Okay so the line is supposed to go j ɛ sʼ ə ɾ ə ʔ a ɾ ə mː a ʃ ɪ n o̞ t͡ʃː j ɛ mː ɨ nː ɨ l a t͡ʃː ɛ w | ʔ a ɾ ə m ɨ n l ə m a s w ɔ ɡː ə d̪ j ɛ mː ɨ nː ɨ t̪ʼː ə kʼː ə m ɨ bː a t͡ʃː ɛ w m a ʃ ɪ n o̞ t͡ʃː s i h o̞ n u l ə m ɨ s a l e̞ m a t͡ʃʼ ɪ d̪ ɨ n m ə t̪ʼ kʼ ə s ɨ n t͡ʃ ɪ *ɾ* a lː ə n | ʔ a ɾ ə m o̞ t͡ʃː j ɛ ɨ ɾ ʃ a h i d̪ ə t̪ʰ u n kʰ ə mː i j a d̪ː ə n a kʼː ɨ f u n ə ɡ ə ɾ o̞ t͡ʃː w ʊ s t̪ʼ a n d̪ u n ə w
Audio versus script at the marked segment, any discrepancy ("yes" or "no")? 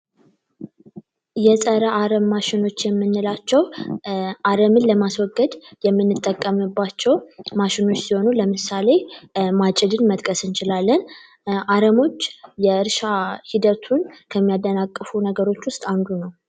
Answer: yes